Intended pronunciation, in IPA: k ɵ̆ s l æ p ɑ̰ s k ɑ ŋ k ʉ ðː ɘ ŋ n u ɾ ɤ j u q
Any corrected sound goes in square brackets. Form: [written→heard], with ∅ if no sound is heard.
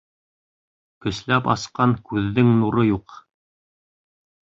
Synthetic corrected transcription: k ɵ̆ s l æ p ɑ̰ s [k→q] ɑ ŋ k ʉ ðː ɘ ŋ n u ɾ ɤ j u q